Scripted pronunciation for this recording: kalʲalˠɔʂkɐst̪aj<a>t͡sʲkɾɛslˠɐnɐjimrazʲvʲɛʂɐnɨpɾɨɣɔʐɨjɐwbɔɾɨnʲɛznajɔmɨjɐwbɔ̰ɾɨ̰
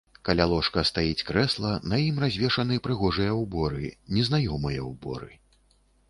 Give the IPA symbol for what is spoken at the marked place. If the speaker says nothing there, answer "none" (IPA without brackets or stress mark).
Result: i